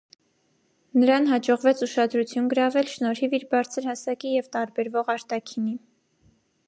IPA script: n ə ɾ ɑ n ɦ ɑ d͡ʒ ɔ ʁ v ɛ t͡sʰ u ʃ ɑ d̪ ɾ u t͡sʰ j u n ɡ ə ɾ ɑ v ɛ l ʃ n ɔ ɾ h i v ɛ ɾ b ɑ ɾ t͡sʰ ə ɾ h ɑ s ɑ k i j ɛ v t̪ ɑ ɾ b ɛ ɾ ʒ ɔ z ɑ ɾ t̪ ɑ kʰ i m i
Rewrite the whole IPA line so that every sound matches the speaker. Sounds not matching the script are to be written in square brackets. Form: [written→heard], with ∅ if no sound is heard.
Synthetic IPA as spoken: n ə ɾ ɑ n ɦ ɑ d͡ʒ ɔ ʁ v ɛ t͡sʰ u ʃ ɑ d̪ ɾ u t͡sʰ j u n ɡ ə ɾ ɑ v ɛ l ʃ n ɔ ɾ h i v [ɛ→i] ɾ b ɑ ɾ t͡sʰ ə ɾ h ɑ s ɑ k i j ɛ v t̪ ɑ ɾ b ɛ ɾ [ʒ→v] ɔ [z→ʁ] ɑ ɾ t̪ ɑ kʰ i [m→n] i